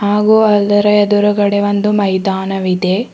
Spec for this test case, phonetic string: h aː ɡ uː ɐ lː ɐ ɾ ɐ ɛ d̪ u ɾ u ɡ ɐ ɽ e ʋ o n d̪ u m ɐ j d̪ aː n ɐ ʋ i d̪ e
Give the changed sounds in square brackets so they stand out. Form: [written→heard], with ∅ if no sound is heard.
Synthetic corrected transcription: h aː ɡ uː ɐ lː ɐ ɾ ɐ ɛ d̪ u ɾ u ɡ ɐ ɽ e ʋ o n d̪ u m ɐ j d̪ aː n ɐ ʋ i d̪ e